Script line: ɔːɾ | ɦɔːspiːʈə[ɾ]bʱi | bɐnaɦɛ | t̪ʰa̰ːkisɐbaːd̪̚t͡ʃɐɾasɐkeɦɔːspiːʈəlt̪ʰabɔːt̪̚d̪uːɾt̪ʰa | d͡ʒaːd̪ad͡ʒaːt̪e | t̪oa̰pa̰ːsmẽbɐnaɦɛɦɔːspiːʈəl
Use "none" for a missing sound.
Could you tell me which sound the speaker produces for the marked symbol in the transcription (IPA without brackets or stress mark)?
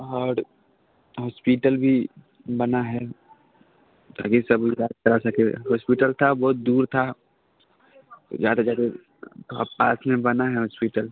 l